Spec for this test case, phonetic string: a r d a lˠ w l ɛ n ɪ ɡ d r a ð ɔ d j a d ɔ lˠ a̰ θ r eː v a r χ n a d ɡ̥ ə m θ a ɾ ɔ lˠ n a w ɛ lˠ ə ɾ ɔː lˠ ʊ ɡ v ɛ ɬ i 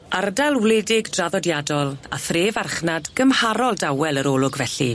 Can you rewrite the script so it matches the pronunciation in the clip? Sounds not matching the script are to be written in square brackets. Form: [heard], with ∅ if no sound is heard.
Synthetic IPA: a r d a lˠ w l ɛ [d] ɪ ɡ d r a ð ɔ d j a d ɔ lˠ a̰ θ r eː v a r χ n a d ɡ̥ ə m [h] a ɾ ɔ lˠ [d] a w ɛ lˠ ə ɾ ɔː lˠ ʊ ɡ v ɛ ɬ i